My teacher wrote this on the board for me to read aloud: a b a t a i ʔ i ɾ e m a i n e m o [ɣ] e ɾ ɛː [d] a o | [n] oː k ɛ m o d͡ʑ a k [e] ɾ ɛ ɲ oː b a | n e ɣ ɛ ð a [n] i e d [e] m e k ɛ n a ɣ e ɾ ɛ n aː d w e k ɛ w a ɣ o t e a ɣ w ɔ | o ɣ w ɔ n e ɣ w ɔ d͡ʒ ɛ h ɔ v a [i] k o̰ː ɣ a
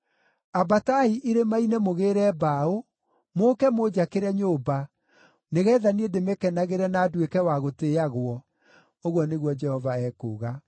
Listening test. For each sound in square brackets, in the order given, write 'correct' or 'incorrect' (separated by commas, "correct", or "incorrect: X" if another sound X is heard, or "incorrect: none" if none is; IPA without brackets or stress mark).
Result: correct, incorrect: b, incorrect: m, correct, correct, correct, incorrect: ɛ